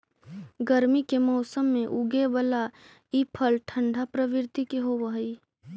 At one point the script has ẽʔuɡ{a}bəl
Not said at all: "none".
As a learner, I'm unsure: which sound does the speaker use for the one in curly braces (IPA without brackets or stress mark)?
e